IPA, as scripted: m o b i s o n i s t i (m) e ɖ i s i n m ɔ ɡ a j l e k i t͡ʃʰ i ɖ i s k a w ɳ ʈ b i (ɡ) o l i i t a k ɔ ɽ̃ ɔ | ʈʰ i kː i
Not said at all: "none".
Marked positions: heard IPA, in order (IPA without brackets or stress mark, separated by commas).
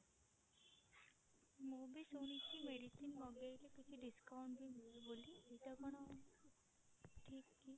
m, b